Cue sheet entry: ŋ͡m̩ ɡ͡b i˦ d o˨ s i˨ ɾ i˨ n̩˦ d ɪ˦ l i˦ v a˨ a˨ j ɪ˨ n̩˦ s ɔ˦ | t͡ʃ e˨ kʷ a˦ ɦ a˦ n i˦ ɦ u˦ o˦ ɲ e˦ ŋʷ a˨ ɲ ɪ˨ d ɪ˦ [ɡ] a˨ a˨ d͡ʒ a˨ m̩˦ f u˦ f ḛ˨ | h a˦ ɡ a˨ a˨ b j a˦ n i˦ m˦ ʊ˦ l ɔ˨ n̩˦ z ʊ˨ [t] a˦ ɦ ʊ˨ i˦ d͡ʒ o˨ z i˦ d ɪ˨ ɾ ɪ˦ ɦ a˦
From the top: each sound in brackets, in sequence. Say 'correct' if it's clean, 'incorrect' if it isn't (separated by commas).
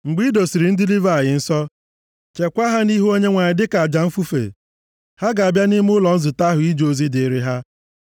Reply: incorrect, correct